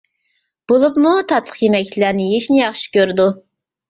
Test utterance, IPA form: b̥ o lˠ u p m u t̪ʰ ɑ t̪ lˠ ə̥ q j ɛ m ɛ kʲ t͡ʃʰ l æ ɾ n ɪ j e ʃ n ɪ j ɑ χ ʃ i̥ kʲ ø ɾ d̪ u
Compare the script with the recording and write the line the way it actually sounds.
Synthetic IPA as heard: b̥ o lˠ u p m u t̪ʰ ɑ t̪ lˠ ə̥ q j e m ɛ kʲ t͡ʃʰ l æ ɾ n ɪ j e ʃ n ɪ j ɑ χ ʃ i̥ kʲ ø ɾ d̪ u

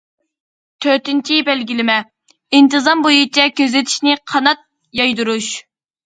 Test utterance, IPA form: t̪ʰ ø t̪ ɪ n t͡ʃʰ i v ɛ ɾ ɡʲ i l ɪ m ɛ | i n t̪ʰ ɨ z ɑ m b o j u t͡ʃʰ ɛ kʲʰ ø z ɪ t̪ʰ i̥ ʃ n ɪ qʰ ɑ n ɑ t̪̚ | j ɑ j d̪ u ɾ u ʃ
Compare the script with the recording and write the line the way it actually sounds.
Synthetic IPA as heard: t̪ʰ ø t̪ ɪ n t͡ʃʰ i b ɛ l ɡʲ i l ɪ m ɛ | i n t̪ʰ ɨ z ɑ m b o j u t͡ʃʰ ɛ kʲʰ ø z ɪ t̪ʰ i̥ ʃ n ɪ qʰ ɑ n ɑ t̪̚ | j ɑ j d̪ u ɾ u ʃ

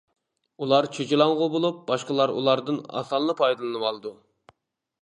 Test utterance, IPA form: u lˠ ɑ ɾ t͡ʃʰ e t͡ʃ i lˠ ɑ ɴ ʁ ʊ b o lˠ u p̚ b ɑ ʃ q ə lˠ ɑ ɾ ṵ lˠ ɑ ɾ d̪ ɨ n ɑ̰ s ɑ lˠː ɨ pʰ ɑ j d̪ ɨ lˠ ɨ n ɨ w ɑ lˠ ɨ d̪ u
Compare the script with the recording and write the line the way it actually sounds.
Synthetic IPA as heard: u lˠ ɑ ɾ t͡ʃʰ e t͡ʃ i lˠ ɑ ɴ ʁ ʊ b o lˠ u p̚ b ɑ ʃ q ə lˠ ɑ ɾ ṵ lˠ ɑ ɾ d̪ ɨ n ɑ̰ s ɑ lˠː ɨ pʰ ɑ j d̪ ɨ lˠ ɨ n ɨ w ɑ lˠ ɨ d̪ u

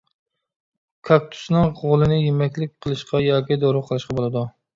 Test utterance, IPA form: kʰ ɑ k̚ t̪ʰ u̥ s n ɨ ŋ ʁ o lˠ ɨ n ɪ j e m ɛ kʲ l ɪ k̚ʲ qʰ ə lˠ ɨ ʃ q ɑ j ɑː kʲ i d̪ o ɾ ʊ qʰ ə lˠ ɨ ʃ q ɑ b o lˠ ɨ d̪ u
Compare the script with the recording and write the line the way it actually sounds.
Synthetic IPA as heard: kʰ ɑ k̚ t̪ʰ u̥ s n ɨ ŋ ʁ o lˠ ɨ n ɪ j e m ɛ kʲ l ɪ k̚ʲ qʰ ə lˠ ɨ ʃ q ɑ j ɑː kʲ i d̪ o ɾ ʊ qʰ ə lˠ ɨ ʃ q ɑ b o lˠ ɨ d̪ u

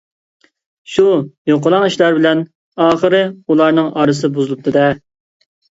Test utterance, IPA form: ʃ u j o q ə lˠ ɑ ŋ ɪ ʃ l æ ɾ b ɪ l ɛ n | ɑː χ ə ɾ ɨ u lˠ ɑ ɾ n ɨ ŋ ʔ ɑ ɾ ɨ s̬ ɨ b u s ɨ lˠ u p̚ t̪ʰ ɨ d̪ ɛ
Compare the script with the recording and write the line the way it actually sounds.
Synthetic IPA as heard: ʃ u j o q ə lˠ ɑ ŋ i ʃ l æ ɾ b ɪ l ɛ n | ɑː χ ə ɾ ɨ u lˠ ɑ ɾ n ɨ ŋ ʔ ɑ ɾ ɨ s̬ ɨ b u z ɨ lˠ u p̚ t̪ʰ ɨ d̪ ɛ

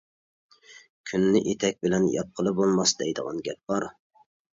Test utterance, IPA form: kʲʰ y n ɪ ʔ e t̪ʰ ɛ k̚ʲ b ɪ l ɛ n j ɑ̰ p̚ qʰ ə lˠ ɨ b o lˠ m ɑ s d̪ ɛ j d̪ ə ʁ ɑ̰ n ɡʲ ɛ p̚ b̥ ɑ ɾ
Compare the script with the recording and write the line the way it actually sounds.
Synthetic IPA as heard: kʲʰ y nː ɪ ʔ e t̪ʰ ɛ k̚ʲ b ɪ l ɛ n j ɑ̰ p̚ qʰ ə lˠ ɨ b o lˠ m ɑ s d̪ ɛ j d̪ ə ʁ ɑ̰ n ɡʲ ɛ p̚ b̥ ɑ ɾ

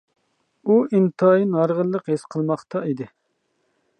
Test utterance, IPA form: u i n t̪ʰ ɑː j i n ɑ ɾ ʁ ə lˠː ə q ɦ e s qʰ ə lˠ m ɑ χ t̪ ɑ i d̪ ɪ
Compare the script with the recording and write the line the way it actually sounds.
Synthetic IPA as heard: u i n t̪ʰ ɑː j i n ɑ ɾ ʁ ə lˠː ə q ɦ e s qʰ ə lˠ m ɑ χ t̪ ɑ i d̪ ɪ

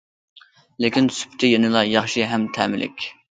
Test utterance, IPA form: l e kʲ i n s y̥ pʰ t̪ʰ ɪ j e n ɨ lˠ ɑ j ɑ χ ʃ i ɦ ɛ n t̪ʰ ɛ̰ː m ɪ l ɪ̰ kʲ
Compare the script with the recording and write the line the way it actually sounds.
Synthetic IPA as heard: l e kʲ i n s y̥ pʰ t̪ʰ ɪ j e n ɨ lˠ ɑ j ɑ χ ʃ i ɦ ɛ m t̪ʰ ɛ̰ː m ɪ l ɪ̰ kʲ

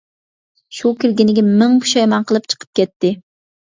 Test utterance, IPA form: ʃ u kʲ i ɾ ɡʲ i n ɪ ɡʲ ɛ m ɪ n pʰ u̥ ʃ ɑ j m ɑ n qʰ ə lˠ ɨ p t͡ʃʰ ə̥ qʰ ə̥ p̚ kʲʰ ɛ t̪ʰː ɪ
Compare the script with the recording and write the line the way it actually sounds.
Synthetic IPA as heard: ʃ u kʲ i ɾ ɡʲ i n ɪ ɡʲ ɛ m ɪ ŋ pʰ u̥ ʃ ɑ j m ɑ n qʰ ə lˠ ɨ p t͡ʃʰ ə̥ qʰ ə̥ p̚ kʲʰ ɛ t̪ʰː ɪ

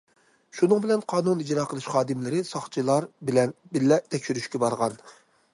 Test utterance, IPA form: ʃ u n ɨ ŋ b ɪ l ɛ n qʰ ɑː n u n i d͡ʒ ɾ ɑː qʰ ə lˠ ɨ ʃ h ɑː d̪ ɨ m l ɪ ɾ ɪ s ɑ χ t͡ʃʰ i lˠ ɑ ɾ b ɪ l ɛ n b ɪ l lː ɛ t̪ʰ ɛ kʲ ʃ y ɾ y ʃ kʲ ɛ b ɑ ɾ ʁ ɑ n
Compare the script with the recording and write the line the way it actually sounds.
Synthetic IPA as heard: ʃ u n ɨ ŋ b ɪ l ɛ n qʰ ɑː n u n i d͡ʒ ɾ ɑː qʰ ə lˠ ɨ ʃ χ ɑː d̪ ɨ m l ɪ ɾ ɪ s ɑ χ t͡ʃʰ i lˠ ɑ ɾ b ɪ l ɛ n b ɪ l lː ɛ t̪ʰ ɛ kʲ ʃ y ɾ y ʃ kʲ ɛ b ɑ ɾ ʁ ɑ n

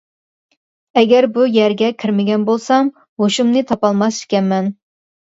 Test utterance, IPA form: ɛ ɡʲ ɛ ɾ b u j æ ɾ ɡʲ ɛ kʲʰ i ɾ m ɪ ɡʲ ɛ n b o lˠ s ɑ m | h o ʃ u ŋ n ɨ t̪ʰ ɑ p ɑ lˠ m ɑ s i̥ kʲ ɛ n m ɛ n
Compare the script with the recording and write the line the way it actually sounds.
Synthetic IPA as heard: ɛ ɡʲ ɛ ɾ b u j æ ɾ ɡʲ ɛ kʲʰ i ɾ m ɪ ɡʲ ɛ n b o lˠ s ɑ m | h o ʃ u m n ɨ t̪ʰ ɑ p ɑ lˠ m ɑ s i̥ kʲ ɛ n m ɛ n

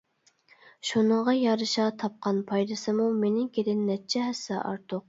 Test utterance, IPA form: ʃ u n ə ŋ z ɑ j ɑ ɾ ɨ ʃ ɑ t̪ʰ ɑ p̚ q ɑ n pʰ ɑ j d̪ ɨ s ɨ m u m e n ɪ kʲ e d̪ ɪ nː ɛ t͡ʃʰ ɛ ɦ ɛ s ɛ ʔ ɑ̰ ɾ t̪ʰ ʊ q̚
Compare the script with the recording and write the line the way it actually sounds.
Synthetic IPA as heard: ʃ u n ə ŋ ʁ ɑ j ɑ ɾ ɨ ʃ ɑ t̪ʰ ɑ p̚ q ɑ n pʰ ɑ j d̪ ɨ s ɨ m u m e n ɪ kʲ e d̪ ɪ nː ɛ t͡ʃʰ ɛ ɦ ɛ s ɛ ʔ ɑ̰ ɾ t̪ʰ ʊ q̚

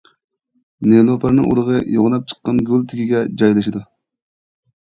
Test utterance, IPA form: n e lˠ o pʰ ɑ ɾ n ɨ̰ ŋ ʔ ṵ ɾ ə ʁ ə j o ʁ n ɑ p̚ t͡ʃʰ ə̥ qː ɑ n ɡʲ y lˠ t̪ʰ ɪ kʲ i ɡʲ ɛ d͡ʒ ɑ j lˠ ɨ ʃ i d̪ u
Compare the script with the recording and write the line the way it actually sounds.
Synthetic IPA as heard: n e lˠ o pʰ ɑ ɾ n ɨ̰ ŋ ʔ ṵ ɾ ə ʁ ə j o ʁ n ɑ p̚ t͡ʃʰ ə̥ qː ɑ n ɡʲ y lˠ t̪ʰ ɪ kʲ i ɡʲ ɛ d͡ʒ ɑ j lˠ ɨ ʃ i d̪ u

